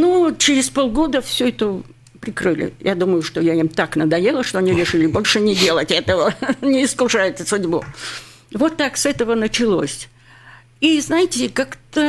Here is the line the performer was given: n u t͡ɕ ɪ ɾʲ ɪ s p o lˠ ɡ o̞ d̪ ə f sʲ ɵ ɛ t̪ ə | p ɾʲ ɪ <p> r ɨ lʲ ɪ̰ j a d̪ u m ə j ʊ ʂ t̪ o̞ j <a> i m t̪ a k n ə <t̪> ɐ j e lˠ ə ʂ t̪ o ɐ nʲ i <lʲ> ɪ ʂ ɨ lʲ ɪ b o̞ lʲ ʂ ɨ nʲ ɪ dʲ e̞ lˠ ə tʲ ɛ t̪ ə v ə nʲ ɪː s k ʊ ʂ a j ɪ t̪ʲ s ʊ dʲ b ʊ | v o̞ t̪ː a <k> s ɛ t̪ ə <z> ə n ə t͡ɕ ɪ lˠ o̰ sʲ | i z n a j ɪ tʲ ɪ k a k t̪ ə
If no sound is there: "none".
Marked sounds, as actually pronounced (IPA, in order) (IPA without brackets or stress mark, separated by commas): k, a, d̪, ɾʲ, k, v